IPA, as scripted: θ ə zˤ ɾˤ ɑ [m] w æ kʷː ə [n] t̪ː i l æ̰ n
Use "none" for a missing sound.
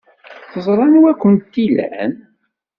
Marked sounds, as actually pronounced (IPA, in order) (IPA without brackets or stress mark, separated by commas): n, n